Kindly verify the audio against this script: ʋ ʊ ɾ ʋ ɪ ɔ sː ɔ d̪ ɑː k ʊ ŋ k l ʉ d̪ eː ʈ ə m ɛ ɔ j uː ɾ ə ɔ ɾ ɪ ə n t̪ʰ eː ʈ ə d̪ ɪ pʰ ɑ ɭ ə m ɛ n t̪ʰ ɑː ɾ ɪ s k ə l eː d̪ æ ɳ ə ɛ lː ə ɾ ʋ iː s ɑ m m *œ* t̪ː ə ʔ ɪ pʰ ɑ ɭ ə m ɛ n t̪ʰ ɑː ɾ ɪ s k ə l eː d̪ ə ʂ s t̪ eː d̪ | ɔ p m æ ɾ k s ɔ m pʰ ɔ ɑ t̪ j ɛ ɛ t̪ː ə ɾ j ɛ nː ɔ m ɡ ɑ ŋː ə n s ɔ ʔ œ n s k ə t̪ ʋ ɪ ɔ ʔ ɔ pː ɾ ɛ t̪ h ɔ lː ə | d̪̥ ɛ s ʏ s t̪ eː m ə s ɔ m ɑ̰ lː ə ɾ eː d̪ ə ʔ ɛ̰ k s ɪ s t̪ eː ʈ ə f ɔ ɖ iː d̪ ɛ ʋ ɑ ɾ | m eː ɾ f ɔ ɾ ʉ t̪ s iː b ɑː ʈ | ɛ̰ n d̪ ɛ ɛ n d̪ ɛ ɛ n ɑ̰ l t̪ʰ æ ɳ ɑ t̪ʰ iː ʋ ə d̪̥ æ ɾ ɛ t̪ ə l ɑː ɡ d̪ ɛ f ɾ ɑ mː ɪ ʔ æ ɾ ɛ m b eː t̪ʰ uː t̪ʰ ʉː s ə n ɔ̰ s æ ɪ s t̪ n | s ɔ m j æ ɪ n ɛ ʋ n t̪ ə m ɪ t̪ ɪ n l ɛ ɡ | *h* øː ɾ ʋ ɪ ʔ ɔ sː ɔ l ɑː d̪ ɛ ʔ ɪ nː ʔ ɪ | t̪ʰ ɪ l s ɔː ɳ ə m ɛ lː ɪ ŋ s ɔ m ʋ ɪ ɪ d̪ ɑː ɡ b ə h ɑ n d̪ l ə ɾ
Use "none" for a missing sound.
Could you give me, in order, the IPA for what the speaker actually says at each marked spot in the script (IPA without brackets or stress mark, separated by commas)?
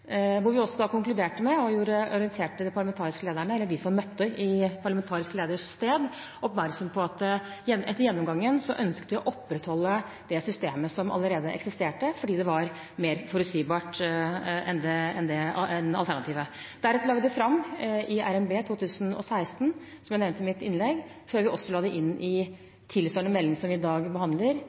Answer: œ, f